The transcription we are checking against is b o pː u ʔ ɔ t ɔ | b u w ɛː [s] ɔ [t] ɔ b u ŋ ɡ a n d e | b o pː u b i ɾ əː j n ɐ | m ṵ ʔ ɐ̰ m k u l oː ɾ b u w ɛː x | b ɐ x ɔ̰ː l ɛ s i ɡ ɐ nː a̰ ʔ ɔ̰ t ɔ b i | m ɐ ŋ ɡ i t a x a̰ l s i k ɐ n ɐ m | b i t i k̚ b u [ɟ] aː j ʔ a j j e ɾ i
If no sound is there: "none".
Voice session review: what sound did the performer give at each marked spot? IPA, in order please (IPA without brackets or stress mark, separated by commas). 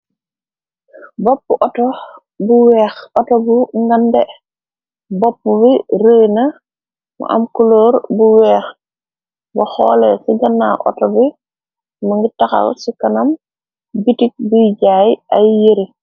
x, t, ɟ